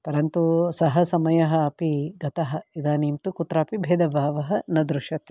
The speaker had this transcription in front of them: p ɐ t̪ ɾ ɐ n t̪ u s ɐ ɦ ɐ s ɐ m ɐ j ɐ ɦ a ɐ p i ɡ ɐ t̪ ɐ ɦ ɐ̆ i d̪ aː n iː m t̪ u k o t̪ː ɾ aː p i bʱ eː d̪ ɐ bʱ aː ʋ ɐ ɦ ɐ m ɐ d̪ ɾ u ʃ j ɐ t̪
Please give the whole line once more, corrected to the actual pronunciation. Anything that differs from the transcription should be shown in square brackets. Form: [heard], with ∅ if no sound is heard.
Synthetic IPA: p ɐ [∅] ɾ ɐ n t̪ u s ɐ ɦ ɐ s ɐ m ɐ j ɐ ɦ [ɐ] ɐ p i ɡ ɐ t̪ ɐ ɦ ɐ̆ i d̪ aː n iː m t̪ u k [u] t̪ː ɾ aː p i bʱ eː d̪ ɐ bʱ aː ʋ ɐ ɦ ɐ [n] ɐ d̪ ɾ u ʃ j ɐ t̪

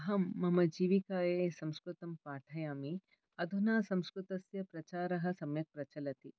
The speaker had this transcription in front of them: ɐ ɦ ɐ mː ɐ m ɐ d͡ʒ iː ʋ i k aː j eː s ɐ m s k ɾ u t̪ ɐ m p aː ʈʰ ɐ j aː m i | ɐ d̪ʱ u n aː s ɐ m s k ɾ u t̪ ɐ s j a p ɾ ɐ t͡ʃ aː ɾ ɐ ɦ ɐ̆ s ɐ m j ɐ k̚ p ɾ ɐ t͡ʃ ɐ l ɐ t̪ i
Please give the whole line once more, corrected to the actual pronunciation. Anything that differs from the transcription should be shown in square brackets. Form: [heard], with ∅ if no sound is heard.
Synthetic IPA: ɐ ɦ ɐ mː ɐ m ɐ d͡ʒ iː ʋ i k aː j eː s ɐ m s k ɾ u t̪ ɐ m p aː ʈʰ ɐ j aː m i | ɐ d̪ʱ u n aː s ɐ m s k ɾ u t̪ ɐ s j [ɐ] p ɾ ɐ t͡ʃ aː ɾ ɐ ɦ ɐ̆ s ɐ m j ɐ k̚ p ɾ ɐ t͡ʃ ɐ l ɐ t̪ i

